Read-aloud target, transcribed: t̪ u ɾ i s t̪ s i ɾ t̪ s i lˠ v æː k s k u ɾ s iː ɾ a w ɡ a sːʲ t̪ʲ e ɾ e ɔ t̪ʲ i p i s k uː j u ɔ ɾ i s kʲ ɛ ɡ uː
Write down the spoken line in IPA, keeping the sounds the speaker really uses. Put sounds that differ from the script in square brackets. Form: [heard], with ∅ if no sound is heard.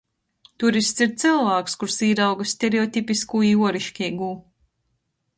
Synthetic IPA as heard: t̪ u ɾ i s t̪ s i ɾ t̪ s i lˠ v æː k s k u ɾ s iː ɾ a w ɡ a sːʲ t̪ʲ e ɾ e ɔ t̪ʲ i p i s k uː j u ɔ ɾ i [ʃ] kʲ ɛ ɡ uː